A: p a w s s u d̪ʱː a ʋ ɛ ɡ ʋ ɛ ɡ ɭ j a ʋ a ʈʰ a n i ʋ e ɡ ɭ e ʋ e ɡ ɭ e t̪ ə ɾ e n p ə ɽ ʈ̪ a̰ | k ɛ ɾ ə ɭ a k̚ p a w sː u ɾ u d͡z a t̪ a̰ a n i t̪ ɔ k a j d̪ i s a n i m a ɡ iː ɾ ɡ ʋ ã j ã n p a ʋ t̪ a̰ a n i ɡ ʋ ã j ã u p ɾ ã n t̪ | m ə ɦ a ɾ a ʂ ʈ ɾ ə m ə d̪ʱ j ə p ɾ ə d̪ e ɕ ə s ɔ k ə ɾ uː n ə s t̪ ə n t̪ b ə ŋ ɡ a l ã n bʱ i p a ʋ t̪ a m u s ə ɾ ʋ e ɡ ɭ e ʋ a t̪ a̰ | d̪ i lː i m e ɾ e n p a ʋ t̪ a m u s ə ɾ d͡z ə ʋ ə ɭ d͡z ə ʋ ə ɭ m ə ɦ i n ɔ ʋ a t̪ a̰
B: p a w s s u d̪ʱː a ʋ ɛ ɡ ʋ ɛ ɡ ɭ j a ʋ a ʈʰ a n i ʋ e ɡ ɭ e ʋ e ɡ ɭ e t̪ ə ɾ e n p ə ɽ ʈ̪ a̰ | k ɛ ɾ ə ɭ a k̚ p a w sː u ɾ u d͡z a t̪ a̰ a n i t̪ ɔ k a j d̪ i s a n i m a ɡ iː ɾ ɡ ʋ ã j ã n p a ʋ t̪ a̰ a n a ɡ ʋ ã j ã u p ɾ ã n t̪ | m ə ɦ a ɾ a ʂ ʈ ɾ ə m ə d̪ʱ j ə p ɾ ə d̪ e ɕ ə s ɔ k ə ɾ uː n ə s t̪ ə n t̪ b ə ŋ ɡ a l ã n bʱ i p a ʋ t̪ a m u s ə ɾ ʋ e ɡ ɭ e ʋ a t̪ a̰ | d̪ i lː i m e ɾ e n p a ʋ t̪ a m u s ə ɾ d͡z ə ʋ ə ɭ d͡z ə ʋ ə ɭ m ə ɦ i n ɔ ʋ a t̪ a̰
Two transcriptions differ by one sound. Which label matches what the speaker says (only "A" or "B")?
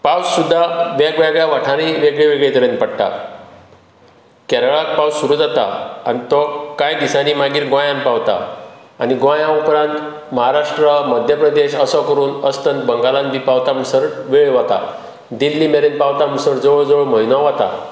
A